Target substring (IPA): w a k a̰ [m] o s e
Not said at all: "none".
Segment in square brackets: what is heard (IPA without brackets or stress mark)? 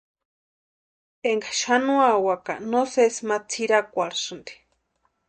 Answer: n